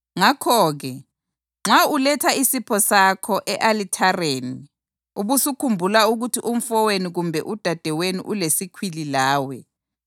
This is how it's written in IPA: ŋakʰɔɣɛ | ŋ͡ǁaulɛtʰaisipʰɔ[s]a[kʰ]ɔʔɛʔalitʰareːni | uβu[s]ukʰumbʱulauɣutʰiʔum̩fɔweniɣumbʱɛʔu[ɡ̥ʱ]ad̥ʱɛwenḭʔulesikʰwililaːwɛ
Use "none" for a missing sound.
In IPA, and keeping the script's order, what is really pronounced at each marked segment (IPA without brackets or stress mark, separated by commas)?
s, kʰ, s, d̥ʱ